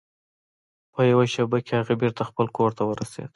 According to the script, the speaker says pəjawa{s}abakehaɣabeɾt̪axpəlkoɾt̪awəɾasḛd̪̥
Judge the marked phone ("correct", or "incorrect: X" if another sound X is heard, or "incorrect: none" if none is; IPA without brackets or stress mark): incorrect: ʃ